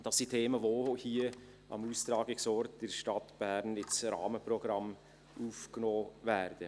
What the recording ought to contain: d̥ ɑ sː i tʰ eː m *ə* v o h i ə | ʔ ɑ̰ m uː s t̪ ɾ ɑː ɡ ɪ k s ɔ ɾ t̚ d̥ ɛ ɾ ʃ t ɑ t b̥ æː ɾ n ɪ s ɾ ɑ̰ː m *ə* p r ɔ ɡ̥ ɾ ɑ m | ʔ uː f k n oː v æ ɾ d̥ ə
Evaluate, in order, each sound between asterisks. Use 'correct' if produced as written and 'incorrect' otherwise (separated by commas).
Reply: correct, correct